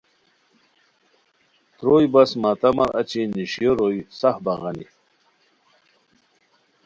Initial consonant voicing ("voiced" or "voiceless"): voiceless